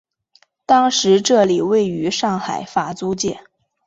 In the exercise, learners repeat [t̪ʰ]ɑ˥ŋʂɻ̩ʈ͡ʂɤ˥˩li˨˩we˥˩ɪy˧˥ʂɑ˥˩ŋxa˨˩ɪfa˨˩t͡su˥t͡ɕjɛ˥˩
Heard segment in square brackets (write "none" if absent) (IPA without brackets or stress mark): t̪